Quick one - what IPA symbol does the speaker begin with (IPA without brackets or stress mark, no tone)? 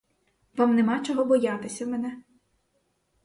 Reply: ʋ